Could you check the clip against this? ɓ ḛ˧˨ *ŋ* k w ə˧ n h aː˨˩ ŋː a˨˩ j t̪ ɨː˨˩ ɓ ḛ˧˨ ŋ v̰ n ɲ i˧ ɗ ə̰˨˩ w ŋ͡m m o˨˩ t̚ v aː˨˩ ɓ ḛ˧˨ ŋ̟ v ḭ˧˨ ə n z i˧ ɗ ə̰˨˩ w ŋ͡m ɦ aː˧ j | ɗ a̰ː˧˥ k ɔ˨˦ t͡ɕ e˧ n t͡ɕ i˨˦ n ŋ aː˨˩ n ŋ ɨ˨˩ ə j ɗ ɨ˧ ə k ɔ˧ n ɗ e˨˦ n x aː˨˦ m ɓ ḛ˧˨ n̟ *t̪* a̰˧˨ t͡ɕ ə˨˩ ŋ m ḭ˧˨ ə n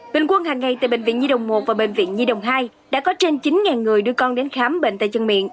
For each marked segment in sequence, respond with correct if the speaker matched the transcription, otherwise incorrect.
correct, correct

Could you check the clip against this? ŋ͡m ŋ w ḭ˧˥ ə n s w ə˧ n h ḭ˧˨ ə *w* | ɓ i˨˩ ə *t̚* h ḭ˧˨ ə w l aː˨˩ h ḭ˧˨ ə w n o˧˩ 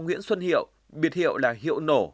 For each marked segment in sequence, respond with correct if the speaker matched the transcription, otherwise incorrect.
correct, correct

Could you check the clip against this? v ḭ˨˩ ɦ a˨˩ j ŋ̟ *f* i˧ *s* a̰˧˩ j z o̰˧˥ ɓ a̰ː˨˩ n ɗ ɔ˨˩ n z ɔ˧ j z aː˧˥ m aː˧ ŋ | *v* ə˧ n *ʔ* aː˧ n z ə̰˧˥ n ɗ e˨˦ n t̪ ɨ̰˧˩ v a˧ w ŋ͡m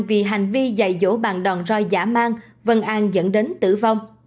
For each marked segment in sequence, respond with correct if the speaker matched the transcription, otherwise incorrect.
incorrect, incorrect, correct, correct

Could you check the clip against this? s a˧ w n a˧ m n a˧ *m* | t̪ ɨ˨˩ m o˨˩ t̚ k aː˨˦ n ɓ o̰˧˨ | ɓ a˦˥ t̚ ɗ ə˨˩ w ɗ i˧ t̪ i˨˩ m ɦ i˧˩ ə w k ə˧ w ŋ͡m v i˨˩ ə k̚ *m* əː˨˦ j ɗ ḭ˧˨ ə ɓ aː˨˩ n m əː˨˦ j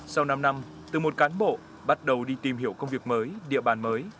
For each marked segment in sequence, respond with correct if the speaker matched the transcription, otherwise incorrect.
correct, correct

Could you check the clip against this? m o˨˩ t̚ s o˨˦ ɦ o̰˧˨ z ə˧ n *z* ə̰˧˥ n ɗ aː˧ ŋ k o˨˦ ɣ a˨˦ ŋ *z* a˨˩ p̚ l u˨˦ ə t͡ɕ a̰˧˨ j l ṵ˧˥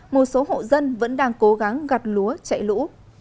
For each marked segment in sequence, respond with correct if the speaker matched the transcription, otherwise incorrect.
incorrect, incorrect

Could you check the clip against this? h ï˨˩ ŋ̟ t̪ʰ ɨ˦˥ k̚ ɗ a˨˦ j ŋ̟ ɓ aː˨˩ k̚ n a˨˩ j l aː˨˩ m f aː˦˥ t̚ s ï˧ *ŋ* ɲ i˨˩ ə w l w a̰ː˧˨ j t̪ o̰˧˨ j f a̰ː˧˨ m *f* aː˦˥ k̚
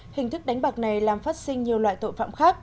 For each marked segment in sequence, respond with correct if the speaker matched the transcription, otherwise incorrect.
correct, incorrect

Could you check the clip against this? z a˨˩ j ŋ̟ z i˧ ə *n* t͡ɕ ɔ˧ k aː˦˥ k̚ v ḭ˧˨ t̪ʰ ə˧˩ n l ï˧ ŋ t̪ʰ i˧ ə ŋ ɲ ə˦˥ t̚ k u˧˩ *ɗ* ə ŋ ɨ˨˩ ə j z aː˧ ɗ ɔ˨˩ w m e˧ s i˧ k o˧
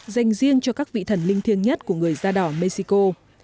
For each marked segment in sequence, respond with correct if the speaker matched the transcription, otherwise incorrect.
incorrect, incorrect

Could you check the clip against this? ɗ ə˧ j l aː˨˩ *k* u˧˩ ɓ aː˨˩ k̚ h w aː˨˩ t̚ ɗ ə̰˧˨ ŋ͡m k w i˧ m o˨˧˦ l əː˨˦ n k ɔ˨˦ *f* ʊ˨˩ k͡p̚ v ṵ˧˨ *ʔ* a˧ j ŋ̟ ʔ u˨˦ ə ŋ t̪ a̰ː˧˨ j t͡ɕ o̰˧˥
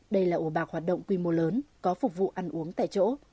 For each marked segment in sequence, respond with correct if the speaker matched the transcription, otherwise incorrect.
incorrect, correct, correct

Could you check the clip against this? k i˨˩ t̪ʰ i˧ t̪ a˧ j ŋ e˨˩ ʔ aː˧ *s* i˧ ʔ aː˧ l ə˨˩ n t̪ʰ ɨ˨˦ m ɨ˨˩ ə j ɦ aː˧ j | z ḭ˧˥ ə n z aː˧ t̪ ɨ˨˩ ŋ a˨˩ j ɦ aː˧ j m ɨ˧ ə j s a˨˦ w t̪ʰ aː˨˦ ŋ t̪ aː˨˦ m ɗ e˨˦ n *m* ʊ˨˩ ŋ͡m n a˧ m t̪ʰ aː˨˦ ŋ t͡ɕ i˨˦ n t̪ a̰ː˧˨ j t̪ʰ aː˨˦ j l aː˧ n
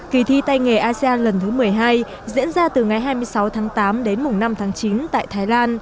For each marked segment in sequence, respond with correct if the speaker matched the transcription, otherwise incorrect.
correct, correct

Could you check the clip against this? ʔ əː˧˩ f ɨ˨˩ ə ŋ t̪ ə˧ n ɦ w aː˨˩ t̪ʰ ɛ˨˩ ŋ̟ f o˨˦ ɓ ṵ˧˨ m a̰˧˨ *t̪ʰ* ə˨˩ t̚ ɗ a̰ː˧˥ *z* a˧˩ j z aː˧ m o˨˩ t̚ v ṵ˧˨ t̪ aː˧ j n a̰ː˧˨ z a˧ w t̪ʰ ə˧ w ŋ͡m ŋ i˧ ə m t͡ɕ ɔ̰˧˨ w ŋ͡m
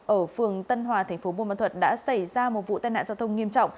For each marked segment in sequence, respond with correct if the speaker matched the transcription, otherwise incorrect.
correct, incorrect

